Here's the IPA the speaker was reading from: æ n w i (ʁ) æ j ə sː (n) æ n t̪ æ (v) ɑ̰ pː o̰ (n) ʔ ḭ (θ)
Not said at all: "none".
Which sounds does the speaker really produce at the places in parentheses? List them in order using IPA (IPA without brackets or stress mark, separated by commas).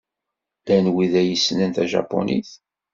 ð, n, ʒ, n, θ